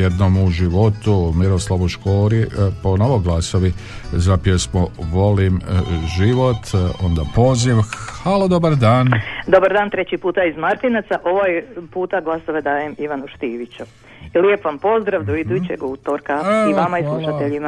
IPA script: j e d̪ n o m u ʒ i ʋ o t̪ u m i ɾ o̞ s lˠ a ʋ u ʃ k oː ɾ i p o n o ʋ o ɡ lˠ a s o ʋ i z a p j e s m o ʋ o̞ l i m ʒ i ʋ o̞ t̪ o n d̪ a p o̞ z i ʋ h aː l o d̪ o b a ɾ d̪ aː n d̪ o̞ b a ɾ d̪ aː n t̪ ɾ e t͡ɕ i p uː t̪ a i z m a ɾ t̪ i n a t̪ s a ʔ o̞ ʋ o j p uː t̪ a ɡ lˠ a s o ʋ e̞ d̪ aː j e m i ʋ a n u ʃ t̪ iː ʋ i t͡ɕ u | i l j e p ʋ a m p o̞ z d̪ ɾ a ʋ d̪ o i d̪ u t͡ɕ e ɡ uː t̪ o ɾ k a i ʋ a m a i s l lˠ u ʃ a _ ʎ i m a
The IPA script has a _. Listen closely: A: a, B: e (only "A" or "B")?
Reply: B